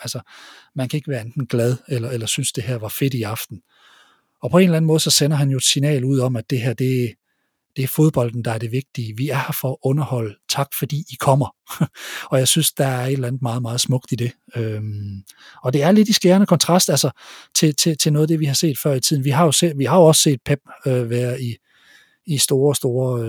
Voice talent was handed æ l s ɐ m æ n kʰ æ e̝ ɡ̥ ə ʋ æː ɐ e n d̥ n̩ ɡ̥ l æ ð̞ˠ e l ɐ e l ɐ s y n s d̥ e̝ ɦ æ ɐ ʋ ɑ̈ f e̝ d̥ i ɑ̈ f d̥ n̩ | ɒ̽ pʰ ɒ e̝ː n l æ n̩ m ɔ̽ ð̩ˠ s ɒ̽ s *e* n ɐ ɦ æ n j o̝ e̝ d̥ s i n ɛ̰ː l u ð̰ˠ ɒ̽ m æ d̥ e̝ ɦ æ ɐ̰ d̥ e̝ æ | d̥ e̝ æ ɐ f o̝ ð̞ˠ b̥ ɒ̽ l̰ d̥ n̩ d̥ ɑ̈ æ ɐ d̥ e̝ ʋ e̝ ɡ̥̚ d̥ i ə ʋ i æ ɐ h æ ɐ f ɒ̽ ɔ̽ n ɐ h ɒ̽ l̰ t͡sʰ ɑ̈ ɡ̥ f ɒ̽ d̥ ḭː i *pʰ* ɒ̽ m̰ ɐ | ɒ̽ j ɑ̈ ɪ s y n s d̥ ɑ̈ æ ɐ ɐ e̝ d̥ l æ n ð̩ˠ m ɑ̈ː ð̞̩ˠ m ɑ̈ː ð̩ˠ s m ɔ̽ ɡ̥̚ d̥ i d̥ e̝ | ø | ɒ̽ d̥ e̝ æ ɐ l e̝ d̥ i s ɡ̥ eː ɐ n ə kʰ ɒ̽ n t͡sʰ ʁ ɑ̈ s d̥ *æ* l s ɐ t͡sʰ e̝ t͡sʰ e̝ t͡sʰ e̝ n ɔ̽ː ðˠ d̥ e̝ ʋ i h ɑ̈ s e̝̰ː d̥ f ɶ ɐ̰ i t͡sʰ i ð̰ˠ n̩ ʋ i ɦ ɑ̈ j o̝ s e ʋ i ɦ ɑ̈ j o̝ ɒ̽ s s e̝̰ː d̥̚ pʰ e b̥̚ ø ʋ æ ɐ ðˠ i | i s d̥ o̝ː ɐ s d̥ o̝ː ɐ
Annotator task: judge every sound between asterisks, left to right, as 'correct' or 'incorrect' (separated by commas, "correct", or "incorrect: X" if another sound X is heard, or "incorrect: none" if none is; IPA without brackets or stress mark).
correct, incorrect: kʰ, correct